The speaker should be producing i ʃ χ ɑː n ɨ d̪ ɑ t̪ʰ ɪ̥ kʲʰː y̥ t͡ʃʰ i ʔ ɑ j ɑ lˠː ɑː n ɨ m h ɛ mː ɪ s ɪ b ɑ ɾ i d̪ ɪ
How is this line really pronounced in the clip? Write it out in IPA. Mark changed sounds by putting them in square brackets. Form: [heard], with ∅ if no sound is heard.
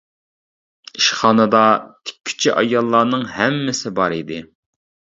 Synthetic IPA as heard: i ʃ χ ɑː n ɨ d̪ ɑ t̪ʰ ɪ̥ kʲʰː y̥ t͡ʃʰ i ʔ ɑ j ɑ lˠː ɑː n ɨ [ŋ] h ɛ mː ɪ s ɪ b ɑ ɾ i d̪ ɪ